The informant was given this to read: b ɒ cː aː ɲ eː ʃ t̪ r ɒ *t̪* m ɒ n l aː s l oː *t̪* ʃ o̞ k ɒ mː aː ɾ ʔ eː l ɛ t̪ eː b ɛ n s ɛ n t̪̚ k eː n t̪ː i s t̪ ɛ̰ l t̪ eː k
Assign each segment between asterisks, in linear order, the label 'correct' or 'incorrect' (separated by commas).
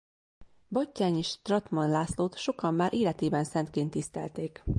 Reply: correct, correct